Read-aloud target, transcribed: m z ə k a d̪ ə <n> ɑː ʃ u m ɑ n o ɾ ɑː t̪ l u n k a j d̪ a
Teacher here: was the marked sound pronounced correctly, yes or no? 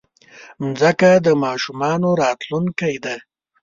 no